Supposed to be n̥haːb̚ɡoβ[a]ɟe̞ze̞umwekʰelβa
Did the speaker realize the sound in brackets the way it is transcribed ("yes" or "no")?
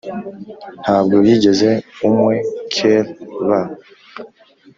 no